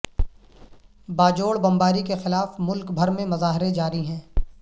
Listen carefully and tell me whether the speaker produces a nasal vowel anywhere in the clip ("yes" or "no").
yes